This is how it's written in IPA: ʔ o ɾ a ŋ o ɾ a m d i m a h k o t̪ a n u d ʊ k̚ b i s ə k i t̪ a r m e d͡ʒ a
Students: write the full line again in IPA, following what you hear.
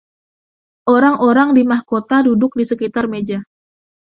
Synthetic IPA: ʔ o ɾ a ŋ o ɾ a ŋ d i m a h k o t̪ a d u d ʊ k̚ d i s ə k i t̪ a r m e d͡ʒ a